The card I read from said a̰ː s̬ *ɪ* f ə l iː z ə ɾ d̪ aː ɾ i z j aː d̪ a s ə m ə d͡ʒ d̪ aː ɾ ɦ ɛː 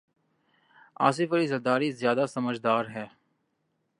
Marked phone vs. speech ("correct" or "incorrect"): correct